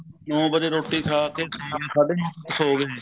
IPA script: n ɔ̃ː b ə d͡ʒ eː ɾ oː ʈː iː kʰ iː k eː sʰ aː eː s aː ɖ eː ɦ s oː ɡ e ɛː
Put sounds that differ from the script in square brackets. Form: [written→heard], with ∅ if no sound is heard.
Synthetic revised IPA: n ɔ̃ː b ə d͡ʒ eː ɾ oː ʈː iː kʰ [iː→aː] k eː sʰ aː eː s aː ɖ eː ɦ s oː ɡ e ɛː